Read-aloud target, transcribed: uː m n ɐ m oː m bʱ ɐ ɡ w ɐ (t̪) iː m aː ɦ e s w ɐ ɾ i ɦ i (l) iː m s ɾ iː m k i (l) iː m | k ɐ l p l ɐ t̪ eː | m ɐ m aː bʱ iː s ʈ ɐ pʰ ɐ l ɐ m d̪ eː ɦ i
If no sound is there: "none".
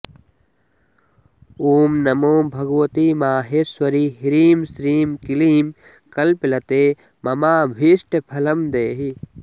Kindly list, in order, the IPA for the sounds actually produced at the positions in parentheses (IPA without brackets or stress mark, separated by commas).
t̪, ɾ, l